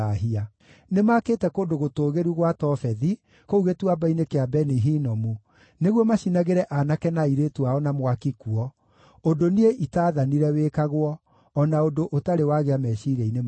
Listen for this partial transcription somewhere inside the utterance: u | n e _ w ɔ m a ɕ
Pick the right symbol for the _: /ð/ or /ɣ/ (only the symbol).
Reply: ɣ